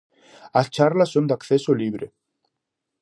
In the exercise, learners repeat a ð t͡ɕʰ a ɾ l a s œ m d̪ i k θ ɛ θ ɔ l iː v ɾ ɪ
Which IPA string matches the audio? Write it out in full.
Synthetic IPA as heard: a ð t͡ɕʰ a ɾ l a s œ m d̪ a k θ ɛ s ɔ l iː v ɾ ɪ